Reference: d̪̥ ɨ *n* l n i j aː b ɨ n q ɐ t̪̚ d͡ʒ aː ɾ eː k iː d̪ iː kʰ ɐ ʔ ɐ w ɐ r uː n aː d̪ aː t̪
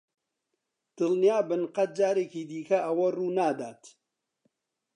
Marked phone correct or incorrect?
incorrect: none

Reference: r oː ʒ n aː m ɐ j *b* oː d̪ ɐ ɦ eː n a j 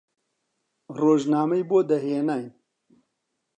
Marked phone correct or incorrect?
correct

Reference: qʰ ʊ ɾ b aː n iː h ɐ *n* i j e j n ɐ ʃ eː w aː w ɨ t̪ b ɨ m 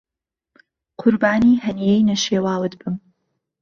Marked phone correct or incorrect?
correct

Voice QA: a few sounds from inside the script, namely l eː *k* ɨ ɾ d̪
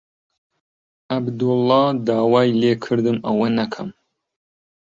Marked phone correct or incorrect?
incorrect: kʰ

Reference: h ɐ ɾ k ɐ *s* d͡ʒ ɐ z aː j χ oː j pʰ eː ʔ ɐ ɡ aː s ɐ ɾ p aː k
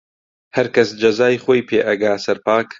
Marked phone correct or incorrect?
correct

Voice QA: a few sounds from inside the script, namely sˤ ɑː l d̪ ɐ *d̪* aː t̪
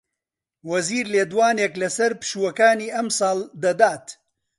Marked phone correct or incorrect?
correct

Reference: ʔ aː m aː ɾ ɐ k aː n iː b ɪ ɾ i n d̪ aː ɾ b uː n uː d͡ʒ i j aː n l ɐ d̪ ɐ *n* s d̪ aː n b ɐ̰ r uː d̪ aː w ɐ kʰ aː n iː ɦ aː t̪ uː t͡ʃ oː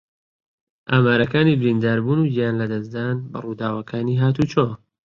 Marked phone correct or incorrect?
incorrect: none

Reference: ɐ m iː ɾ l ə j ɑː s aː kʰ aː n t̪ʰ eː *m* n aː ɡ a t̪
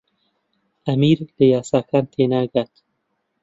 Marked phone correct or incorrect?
incorrect: none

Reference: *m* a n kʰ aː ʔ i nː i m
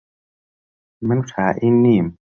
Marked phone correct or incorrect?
correct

